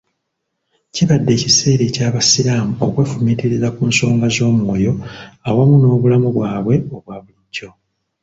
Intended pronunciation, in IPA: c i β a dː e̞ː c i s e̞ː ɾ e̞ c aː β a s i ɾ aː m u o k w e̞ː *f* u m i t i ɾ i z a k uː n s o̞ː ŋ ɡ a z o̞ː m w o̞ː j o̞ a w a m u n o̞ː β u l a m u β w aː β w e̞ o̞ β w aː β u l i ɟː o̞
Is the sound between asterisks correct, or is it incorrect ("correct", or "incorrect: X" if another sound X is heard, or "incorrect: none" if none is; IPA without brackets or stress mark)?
correct